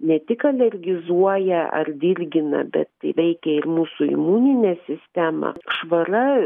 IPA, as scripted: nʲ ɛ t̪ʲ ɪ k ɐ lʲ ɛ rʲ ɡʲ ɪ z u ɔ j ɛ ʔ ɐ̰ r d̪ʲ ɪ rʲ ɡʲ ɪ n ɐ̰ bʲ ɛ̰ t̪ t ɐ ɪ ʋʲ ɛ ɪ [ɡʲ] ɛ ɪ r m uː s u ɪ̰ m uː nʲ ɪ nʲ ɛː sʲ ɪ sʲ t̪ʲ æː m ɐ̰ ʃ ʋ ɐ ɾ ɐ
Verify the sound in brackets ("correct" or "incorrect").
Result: incorrect